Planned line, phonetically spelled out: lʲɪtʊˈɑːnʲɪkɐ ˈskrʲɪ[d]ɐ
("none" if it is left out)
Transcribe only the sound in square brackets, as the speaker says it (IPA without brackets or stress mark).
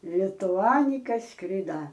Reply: d